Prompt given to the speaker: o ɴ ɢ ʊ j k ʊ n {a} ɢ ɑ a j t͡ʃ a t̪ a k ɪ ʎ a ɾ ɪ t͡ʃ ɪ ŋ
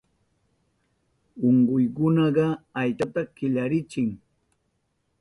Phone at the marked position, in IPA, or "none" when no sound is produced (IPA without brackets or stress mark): ɑ